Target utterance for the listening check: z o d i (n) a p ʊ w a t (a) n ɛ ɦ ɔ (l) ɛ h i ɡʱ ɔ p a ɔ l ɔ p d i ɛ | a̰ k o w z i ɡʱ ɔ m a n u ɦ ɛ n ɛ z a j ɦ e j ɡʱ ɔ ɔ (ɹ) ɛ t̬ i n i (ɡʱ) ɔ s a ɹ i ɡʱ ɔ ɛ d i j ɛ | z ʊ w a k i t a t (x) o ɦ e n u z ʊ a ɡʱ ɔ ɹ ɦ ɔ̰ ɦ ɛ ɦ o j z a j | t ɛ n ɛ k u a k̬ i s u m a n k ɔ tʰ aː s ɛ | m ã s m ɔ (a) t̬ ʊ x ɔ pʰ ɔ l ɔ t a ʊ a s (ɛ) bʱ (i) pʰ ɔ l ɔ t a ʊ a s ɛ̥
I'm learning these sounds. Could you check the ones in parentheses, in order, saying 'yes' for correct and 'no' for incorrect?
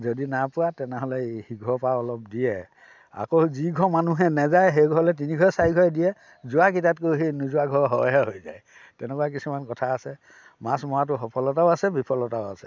yes, no, yes, no, yes, no, yes, yes, yes

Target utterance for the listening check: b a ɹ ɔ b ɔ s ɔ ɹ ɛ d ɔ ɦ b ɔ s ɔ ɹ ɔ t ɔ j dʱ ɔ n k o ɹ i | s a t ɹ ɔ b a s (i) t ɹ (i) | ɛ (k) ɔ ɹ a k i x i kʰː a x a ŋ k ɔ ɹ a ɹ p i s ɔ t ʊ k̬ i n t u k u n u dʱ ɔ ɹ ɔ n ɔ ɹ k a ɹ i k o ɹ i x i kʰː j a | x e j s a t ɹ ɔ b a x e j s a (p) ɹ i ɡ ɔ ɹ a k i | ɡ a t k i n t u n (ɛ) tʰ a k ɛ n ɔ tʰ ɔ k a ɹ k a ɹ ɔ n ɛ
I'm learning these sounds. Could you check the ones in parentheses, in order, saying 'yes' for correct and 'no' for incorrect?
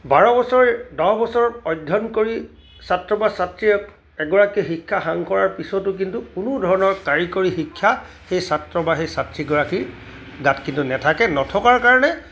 no, yes, no, no, yes

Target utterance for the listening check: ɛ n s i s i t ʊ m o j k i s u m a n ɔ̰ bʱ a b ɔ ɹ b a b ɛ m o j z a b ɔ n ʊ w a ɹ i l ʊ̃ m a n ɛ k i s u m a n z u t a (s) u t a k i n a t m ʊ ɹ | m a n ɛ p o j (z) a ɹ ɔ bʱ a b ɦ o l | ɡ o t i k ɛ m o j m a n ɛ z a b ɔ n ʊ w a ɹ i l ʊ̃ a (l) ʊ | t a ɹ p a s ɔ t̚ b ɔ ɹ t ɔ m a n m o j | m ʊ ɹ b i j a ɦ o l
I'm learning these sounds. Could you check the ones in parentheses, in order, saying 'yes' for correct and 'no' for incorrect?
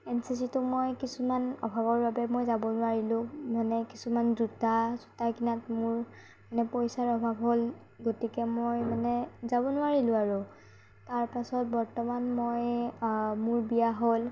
no, no, no

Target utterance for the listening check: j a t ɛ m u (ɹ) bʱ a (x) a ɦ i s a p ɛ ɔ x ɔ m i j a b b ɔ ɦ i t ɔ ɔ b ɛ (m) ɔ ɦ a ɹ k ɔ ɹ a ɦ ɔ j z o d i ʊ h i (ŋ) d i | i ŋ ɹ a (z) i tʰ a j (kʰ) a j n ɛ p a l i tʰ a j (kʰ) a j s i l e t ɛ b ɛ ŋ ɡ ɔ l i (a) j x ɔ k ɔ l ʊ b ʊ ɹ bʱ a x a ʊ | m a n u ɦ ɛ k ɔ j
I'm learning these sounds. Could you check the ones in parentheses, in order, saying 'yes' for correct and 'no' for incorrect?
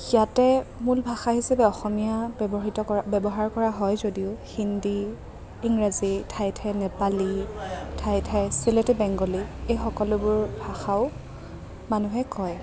no, yes, no, no, yes, no, no, no

